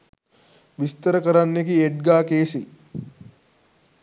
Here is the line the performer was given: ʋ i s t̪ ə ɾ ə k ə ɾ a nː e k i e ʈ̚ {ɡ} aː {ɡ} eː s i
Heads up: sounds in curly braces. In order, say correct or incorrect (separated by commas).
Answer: correct, incorrect